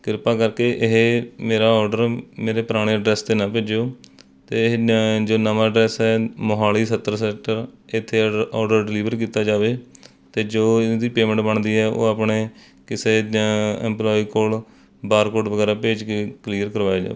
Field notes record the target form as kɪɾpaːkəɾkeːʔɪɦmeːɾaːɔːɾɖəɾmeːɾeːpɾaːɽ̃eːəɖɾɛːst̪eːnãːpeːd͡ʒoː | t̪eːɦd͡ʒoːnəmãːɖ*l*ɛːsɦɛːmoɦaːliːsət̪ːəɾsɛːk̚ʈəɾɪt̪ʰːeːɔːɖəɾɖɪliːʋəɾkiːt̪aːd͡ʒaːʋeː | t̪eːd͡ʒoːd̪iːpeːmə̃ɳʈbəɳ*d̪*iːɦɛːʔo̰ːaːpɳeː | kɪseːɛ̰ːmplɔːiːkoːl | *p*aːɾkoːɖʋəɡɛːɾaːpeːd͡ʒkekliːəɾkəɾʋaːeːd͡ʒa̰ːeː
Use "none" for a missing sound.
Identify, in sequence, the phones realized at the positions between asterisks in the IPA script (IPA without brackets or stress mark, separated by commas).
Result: ɾ, d̪, b